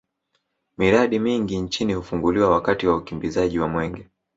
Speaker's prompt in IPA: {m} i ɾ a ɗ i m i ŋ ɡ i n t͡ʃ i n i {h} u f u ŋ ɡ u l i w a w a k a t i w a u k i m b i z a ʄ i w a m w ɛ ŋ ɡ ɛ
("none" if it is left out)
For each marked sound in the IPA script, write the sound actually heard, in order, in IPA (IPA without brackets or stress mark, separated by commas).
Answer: m, h